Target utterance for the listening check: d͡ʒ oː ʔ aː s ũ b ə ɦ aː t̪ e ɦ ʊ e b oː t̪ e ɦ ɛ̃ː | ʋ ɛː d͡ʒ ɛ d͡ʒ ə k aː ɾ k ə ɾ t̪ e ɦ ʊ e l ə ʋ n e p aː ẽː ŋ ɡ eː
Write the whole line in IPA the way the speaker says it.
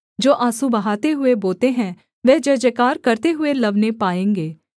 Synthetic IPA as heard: d͡ʒ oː ʔ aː s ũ b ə ɦ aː t̪ e ɦ ʊ e b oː t̪ e ɦ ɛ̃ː | ʋ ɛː d͡ʒ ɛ d͡ʒ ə k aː ɾ k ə ɾ t̪ e ɦ ʊ e l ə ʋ n e p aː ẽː ŋ ɡ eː